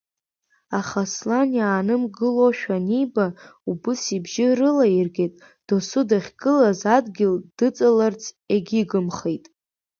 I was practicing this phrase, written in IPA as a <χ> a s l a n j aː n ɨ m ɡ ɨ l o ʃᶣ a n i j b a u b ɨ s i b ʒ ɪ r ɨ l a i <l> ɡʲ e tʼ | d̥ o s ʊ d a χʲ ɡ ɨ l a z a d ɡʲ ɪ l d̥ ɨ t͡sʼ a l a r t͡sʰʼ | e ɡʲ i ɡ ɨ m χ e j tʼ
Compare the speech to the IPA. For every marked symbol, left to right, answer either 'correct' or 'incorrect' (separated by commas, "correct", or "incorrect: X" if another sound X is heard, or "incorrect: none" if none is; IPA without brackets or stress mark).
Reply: correct, incorrect: r